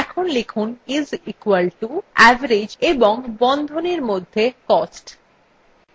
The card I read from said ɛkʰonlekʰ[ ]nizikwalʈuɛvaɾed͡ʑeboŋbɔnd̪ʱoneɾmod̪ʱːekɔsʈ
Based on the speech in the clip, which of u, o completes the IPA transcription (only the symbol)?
u